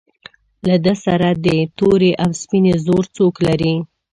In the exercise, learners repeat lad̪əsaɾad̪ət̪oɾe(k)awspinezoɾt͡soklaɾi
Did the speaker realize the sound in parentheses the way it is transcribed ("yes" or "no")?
no